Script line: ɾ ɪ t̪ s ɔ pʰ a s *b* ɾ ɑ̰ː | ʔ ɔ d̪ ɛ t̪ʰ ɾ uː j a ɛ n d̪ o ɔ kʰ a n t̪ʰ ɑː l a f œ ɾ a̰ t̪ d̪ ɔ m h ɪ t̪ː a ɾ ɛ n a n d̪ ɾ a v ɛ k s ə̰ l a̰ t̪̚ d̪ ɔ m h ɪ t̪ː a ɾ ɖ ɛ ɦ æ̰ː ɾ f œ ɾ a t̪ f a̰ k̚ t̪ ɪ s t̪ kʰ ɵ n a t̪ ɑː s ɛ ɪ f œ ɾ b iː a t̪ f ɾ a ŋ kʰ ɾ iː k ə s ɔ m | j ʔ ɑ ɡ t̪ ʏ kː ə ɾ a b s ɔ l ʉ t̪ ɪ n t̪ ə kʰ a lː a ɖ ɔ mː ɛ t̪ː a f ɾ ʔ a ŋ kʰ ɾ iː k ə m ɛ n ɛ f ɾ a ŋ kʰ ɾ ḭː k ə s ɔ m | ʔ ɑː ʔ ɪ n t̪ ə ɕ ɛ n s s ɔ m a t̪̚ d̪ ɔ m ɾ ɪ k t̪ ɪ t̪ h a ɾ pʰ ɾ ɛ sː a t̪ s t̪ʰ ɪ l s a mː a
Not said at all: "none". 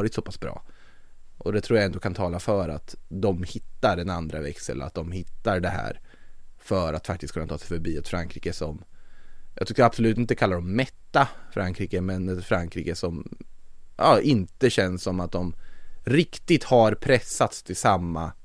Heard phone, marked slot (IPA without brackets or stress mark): b